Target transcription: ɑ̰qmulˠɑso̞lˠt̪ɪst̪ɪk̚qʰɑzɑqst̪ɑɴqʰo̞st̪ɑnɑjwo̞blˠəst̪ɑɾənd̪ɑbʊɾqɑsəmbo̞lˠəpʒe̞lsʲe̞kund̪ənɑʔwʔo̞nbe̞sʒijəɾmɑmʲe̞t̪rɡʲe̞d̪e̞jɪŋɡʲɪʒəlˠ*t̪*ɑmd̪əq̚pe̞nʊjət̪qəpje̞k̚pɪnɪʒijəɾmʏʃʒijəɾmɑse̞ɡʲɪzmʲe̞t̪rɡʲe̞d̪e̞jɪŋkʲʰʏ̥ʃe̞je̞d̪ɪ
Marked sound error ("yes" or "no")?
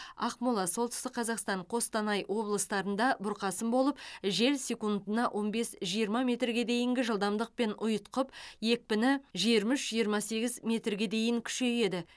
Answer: yes